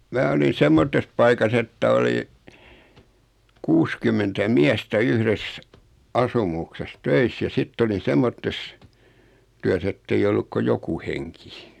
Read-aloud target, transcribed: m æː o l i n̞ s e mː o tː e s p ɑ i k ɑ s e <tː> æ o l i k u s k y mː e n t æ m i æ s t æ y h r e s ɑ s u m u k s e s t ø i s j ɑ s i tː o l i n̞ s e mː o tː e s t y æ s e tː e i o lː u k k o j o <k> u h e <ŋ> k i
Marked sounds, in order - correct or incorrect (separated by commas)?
correct, correct, correct